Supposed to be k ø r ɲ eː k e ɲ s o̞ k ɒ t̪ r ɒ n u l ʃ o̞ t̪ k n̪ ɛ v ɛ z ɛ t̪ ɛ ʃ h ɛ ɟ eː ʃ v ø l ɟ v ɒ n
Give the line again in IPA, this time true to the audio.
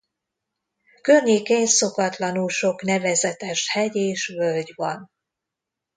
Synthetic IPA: k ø r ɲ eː k e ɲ s o̞ k ɒ t̪ l ɒ n u l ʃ o̞ k n̪ ɛ v ɛ z ɛ t̪ ɛ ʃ h ɛ ɟ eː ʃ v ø l ɟ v ɒ n

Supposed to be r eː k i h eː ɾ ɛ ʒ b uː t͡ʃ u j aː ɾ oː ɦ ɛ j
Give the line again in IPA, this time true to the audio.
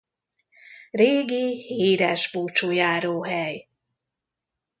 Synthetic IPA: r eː ɡ i h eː ɾ ɛ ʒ b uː t͡ʃ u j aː ɾ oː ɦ ɛ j

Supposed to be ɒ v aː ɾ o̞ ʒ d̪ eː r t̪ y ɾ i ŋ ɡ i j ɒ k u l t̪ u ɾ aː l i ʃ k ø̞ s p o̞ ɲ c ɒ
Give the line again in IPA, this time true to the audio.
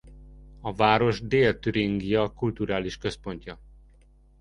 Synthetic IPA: ɒ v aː ɾ o̞ ʒ d̪ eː l t̪ y ɾ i ŋ ɡ i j ɒ k u l t̪ u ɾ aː l i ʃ k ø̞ s p o̞ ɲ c ɒ

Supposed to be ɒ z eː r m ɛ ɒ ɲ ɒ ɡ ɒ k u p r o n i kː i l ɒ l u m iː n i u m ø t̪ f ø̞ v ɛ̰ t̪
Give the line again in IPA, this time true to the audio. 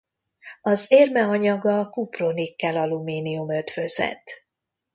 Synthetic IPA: ɒ z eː r m ɛ ɒ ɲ ɒ ɡ ɒ k u p r o n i kː ɛ l ɒ l u m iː n i u m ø t̪ f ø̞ z ɛ̰ t̪

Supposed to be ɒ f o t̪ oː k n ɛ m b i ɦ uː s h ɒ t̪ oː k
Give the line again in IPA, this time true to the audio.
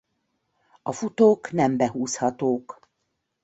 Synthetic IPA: ɒ f u t̪ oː k n ɛ m b ɛ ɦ uː s h ɒ t̪ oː k

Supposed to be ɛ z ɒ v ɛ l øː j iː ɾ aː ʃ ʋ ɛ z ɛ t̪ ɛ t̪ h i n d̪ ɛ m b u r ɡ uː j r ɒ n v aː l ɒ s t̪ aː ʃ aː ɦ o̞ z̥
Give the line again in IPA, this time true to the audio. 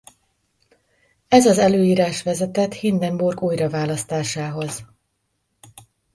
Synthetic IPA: ɛ z ɒ z ɛ l øː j iː ɾ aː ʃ ʋ ɛ z ɛ t̪ ɛ t̪ h i n d̪ ɛ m b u r ɡ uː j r ɒ v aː l ɒ s t̪ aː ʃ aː ɦ o̞ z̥

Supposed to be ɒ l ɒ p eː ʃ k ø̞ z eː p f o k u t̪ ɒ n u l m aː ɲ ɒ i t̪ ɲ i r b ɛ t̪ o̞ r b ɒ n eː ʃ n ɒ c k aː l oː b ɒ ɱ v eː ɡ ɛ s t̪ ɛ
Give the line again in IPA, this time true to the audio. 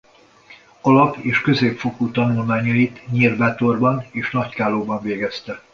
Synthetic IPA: ɒ l ɒ p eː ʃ k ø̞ z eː p f o k u t̪ ɒ n u l m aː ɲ ɒ i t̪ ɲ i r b ɛ t̪ o̞ r b ɒ n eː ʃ n ɒ c k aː l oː b ɒ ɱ v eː ɡ ɛ s t̪ ɛ

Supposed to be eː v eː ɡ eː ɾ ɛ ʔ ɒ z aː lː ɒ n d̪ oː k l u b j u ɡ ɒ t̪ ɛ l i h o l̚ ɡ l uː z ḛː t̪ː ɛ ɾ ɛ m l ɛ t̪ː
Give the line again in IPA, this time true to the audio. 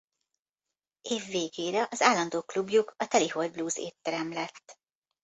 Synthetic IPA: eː vː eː ɡ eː ɾ ɛ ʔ ɒ z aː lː ɒ n d̪ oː k l u b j u k ɒ t̪ ɛ l i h o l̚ b l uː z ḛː t̪ː ɛ ɾ ɛ m l ɛ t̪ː

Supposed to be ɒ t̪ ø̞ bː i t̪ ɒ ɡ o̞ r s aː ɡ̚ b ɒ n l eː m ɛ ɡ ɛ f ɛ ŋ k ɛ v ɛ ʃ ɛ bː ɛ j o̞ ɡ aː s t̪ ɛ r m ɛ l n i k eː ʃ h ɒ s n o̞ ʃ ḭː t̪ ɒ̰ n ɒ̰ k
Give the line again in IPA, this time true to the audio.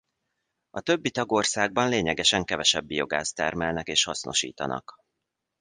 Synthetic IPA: ɒ t̪ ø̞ bː i t̪ ɒ ɡ o̞ r s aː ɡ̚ b ɒ n l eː ɲ ɛ ɡ ɛ ʃ ɛ ŋ k ɛ v ɛ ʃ ɛ bː i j o̞ ɡ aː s t̪ ɛ r m ɛ l n ɛ k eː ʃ h ɒ s n o̞ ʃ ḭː t̪ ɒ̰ n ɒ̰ k

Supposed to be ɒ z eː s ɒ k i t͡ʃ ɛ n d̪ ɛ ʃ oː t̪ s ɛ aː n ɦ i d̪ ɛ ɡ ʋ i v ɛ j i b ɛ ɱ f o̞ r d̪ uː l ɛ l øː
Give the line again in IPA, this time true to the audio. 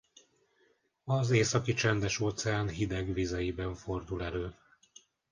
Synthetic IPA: ɒ z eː s ɒ k i t͡ʃ ɛ n d̪ ɛ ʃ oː t̪ s ɛ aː n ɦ i d̪ ɛ ɡ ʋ i z ɛ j i b ɛ ɱ f o̞ r d̪ u l ɛ l øː

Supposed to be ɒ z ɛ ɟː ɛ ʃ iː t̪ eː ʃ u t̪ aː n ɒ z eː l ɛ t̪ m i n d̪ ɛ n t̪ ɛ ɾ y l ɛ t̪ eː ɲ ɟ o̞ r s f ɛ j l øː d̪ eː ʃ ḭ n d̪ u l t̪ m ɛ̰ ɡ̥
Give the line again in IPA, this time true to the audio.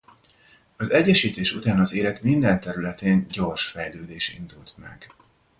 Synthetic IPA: ɒ z ɛ ɟː ɛ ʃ iː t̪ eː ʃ u t̪ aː n ɒ z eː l ɛ t̪ m i n d̪ ɛ n t̪ ɛ ɾ y l ɛ t̪ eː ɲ ɟ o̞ r ʃ f ɛ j l øː d̪ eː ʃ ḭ n d̪ u l t̪ m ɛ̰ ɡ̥

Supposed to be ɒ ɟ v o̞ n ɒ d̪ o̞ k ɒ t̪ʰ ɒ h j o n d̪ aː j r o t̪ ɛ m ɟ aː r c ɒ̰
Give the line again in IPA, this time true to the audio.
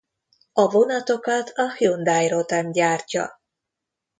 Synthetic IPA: ɒ v o̞ n ɒ t̪ o̞ k ɒ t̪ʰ ɒ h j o n d̪ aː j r o t̪ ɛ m ɟ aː r c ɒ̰

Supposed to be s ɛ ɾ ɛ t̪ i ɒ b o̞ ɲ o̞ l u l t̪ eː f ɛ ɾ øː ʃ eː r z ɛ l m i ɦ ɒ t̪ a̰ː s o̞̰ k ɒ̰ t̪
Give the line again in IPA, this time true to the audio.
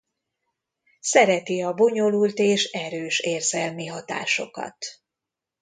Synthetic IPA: s ɛ ɾ ɛ t̪ i ɒ b o̞ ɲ o̞ l u l t̪ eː ʃ ɛ ɾ øː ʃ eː r z ɛ l m i ɦ ɒ t̪ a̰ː ʃ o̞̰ k ɒ̰ t̪

